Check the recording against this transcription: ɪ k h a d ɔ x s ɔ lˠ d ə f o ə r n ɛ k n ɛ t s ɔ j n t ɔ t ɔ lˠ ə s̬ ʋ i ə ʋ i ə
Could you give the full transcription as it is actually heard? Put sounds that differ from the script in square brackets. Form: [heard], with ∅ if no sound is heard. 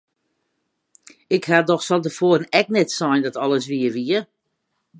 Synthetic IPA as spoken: ɪ k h a d ɔ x s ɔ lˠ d ə f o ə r n ɛ k n ɛ t s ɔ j n [d] ɔ t ɔ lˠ ə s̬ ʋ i ə ʋ i ə